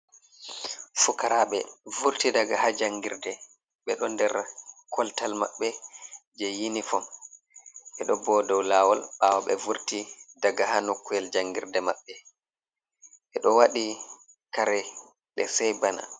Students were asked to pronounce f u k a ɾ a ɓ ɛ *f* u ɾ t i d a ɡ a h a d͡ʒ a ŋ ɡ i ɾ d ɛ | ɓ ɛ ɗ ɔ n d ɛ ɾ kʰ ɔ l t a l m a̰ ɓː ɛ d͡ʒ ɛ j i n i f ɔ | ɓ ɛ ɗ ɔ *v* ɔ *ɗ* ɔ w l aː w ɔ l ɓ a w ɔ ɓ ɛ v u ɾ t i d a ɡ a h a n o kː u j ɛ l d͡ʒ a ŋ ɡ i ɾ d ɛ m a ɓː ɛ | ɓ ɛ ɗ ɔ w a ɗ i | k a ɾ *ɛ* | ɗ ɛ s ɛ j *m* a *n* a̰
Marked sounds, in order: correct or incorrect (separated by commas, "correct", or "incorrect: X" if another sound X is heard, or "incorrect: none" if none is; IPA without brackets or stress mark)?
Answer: incorrect: v, incorrect: b, incorrect: d, correct, incorrect: b, correct